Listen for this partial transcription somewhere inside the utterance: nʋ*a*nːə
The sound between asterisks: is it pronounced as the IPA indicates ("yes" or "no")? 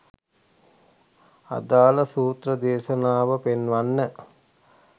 yes